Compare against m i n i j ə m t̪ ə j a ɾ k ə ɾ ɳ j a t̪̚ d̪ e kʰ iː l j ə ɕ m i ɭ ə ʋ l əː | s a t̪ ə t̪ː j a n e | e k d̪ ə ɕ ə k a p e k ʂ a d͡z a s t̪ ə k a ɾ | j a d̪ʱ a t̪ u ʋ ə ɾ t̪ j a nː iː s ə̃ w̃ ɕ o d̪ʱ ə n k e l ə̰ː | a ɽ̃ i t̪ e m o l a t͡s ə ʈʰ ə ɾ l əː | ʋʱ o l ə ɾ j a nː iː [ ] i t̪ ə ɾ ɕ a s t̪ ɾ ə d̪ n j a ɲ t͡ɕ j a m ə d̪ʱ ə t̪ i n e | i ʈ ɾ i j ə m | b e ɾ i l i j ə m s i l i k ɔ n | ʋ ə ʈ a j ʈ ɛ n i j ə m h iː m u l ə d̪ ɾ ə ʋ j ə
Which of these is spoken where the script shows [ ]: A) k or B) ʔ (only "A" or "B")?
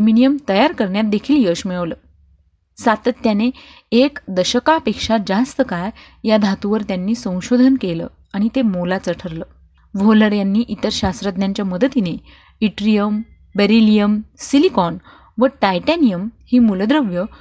B